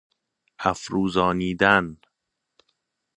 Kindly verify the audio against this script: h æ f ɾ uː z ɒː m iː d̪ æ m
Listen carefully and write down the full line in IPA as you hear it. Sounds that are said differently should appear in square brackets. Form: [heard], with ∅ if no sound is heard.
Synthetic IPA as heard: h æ f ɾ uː z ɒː [n] iː d̪ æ [n]